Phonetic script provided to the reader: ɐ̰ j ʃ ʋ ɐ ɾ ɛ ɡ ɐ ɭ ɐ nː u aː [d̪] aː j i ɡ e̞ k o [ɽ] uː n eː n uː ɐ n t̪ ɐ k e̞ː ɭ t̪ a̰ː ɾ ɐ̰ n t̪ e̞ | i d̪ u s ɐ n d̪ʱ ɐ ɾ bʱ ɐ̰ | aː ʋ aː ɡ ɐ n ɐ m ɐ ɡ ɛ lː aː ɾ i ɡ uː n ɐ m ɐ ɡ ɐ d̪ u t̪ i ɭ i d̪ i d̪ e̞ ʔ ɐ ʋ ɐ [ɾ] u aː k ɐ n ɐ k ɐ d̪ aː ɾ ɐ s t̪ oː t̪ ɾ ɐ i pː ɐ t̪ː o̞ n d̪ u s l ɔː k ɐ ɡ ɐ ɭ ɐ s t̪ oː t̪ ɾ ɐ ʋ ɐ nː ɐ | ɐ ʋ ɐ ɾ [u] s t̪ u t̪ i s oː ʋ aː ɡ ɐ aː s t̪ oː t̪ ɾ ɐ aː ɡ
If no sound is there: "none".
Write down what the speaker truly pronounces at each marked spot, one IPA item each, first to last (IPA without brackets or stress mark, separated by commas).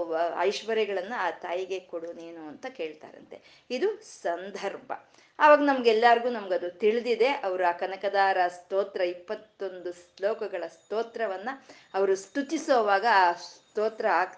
t̪, ɽ, ɾ, u